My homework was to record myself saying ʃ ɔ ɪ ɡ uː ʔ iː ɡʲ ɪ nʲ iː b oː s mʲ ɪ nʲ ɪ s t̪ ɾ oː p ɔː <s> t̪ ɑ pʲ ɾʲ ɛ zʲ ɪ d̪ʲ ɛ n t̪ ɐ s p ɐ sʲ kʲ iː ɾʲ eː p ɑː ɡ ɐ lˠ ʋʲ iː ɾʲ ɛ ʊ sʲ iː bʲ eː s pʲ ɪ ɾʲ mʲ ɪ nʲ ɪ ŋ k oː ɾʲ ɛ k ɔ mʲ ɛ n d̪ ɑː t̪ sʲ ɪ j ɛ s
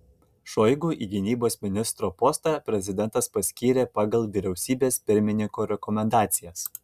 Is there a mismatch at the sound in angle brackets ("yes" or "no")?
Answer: no